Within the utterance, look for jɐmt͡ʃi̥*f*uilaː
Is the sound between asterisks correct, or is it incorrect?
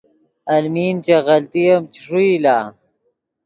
incorrect: ʂ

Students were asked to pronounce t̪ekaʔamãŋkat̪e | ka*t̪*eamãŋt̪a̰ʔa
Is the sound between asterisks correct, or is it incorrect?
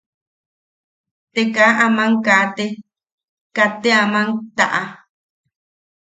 correct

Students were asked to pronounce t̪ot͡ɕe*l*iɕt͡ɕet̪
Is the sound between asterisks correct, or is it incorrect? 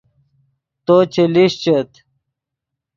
correct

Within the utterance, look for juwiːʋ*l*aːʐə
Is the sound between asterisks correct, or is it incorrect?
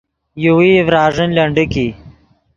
incorrect: ɾ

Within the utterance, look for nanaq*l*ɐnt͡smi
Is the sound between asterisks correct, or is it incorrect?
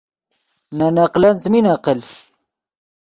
correct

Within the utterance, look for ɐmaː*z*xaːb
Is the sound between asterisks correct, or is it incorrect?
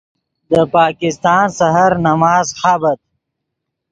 correct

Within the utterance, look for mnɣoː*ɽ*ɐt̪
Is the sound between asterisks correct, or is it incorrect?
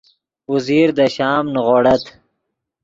correct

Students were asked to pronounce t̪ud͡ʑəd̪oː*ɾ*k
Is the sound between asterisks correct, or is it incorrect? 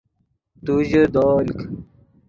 incorrect: l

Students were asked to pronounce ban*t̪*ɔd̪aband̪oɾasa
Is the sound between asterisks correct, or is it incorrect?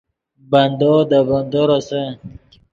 incorrect: d̪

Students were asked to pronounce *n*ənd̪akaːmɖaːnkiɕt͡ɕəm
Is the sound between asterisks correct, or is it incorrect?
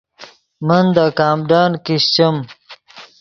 incorrect: m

